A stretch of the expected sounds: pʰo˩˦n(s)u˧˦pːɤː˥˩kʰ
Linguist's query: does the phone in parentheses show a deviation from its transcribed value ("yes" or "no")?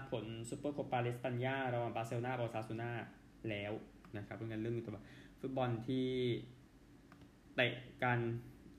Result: no